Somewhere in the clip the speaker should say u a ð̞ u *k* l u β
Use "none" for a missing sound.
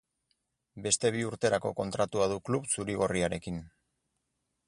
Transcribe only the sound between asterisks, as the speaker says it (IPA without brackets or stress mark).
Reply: k